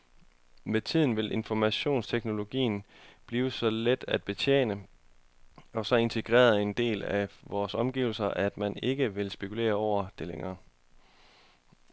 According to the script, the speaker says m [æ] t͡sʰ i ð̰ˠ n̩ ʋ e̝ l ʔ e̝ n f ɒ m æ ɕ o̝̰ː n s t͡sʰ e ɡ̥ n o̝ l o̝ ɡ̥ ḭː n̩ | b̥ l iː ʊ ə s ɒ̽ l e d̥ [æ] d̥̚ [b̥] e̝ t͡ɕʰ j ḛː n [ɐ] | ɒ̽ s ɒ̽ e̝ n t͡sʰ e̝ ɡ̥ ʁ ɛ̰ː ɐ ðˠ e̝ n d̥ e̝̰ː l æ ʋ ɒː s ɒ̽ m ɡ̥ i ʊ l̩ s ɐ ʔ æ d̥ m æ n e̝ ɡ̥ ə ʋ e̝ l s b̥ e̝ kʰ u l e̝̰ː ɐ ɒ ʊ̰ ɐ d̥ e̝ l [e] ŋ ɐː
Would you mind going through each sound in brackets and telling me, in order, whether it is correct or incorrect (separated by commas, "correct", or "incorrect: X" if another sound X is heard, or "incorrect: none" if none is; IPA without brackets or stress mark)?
incorrect: e, correct, correct, incorrect: ə, correct